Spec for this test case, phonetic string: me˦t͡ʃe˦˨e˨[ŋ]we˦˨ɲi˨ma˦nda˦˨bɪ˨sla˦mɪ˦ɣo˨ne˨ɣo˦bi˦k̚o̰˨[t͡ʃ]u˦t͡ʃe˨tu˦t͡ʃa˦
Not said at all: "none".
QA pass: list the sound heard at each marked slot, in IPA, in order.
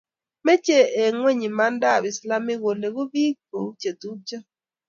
ŋ, none

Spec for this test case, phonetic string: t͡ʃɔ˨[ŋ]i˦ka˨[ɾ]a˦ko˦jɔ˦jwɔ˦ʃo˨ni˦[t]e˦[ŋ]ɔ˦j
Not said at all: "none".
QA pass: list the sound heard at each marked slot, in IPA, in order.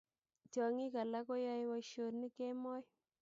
ŋ, l, k, m

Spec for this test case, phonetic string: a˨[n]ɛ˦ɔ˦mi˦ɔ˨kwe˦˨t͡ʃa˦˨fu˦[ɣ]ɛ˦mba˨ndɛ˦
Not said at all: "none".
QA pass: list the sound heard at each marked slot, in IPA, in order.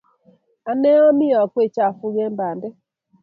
n, ɣ

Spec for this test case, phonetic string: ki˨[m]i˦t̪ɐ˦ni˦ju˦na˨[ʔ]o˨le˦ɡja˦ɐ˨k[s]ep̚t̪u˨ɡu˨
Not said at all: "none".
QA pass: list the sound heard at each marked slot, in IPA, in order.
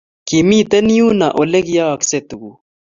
m, ʔ, s

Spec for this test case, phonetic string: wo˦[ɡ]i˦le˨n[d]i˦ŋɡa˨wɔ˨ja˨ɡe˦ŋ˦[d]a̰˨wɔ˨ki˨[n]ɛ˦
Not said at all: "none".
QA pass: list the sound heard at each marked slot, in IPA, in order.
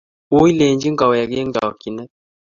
none, d͡ʒ, ɡ, n

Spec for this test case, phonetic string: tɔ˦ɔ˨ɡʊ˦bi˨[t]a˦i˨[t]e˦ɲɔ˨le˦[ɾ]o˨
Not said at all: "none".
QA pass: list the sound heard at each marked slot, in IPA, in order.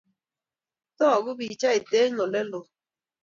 t͡ʃ, t, l

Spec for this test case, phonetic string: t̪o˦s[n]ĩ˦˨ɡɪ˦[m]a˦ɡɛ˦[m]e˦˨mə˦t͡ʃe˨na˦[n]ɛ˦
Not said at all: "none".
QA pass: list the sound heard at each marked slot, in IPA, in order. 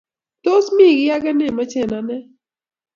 m, none, n, n

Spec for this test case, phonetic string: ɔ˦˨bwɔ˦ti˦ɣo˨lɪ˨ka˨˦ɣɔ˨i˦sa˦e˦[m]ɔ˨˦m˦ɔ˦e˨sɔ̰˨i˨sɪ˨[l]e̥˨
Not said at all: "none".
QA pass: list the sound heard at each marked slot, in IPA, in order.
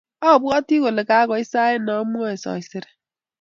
n, ɾ

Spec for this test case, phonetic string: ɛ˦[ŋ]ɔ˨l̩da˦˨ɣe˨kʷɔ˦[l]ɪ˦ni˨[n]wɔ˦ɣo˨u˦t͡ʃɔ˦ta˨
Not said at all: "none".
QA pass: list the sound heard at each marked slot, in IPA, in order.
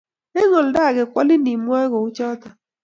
ŋ, l, m

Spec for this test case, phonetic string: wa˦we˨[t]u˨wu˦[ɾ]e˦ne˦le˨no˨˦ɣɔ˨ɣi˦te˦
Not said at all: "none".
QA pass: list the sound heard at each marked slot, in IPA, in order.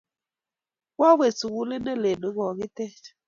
s, l

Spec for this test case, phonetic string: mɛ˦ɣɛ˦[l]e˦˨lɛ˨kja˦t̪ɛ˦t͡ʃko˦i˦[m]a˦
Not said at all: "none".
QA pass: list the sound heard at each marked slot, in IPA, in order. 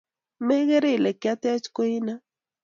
ɾ, n

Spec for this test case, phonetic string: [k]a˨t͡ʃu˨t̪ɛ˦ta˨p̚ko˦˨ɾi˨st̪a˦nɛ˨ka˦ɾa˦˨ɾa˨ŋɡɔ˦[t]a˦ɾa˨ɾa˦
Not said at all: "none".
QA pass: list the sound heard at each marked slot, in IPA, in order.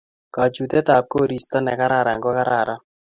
k, k

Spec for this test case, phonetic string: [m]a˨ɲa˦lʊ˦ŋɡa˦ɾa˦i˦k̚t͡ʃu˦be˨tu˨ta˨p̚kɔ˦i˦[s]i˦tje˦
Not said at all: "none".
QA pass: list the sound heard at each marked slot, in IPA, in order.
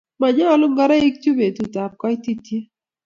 m, t

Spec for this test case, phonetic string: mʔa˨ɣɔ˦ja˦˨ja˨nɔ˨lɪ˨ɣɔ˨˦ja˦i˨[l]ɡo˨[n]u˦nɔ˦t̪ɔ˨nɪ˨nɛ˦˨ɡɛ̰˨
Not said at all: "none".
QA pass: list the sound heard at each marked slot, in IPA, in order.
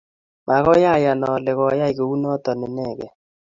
none, none

